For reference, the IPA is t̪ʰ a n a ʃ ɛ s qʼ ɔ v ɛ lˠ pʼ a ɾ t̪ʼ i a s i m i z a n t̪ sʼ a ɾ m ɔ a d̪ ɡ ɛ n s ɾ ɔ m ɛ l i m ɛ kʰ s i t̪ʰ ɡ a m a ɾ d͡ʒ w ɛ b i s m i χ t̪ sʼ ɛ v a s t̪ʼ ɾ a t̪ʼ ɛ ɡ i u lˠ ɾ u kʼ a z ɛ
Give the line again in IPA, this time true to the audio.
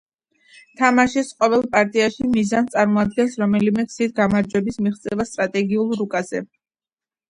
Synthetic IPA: t̪ʰ a m a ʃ ɛ s qʼ ɔ v ɛ lˠ pʼ a ɾ t̪ʼ i a ʃ i m i z a n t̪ sʼ a ɾ m ɔ a d̪ ɡ ɛ n s ɾ ɔ m ɛ l i m ɛ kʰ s i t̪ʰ ɡ a m a ɾ d͡ʒ w ɛ b i s m i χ t̪ sʼ ɛ v a s t̪ʼ ɾ a t̪ʼ ɛ ɡ i u lˠ ɾ u kʼ a z ɛ